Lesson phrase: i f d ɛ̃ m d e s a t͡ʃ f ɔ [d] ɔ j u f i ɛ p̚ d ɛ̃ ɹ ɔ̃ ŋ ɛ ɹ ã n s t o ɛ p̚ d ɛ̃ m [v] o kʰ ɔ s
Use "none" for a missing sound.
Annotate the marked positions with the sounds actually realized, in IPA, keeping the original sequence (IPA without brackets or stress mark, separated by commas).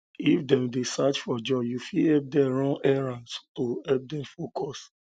d͡ʒ, f